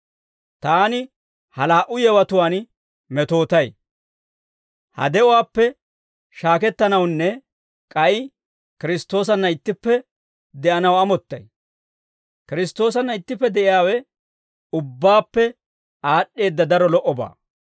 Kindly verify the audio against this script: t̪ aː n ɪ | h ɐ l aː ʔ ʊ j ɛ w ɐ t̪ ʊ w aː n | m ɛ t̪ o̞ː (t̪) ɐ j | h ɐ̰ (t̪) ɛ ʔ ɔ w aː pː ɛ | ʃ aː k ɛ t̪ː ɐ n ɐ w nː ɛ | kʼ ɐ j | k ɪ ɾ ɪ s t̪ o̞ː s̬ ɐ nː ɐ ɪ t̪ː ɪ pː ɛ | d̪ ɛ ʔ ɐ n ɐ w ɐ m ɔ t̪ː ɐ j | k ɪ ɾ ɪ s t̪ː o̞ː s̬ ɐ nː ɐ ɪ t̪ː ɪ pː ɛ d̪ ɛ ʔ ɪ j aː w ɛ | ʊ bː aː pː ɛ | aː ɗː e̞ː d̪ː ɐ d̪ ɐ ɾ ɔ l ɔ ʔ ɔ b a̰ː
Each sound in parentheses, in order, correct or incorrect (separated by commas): correct, incorrect